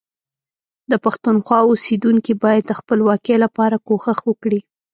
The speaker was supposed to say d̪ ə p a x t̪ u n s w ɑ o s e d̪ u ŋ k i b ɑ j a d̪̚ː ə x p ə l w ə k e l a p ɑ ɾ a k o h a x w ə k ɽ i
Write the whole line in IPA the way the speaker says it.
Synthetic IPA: d̪ ə p a x t̪ u n x w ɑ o s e d̪ u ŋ k i b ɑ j a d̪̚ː ə x p ə l w ɑ k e l a p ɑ ɾ a k o x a x w ə k ɽ i